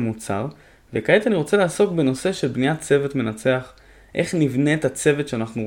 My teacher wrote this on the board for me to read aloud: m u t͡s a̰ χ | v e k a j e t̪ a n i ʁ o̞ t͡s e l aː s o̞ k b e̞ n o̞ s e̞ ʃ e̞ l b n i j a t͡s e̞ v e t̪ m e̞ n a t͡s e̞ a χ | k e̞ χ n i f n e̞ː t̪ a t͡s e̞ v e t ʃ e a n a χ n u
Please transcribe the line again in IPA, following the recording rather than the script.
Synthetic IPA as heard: m u t͡s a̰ ʁ | v e k a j e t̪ a n i ʁ o̞ t͡s e l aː s o̞ k b e̞ n o̞ s e̞ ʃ e̞ l b n i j a t͡s e̞ v e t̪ m e̞ n a t͡s e̞ a χ | ʔ e̞ χ n i v n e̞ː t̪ a t͡s e̞ v e t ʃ e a n a χ n u